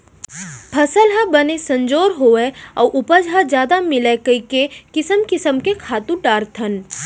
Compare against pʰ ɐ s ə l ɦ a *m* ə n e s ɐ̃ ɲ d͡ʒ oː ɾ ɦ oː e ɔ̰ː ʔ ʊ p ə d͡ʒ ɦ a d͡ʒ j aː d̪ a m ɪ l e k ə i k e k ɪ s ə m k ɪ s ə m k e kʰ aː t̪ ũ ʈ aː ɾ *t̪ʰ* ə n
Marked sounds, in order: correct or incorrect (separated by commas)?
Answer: incorrect, correct